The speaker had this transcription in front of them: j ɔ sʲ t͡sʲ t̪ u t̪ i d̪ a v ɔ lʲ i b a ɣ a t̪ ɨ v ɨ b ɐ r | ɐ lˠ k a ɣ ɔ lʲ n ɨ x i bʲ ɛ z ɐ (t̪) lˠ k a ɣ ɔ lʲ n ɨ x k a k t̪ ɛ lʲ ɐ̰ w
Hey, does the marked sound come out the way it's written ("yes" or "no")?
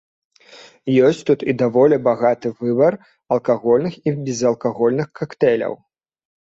no